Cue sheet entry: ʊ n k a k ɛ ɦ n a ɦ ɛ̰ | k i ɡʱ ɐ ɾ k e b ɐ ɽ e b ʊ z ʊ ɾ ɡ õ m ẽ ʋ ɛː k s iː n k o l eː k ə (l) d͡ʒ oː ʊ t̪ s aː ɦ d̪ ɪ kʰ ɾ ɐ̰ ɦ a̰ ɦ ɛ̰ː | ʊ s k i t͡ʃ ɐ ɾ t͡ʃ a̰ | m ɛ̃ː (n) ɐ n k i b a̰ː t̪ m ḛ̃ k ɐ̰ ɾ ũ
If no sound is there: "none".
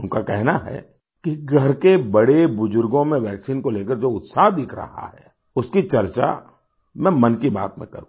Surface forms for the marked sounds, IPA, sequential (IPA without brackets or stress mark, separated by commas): ɾ, m